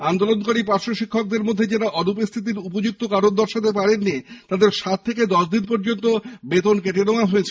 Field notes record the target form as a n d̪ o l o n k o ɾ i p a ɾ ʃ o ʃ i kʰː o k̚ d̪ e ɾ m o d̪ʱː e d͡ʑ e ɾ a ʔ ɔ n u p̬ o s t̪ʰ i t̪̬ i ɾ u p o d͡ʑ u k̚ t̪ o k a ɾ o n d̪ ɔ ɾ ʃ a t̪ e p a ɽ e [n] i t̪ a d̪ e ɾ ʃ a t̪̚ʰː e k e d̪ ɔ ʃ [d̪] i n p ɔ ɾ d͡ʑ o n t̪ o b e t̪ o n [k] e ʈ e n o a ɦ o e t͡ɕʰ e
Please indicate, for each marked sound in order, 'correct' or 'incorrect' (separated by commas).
incorrect, correct, correct